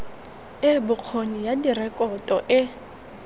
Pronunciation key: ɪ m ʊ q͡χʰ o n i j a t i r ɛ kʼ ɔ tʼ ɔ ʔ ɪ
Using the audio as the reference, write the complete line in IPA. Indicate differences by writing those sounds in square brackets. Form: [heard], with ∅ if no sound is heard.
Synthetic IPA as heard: ɪ [b] ʊ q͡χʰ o n i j a [d] i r ɛ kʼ ɔ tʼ ɔ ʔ ɪ